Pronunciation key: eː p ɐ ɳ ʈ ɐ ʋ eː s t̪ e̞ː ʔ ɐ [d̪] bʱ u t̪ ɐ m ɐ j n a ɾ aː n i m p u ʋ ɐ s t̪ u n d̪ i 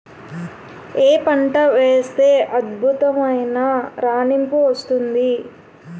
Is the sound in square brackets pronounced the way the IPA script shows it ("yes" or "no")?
yes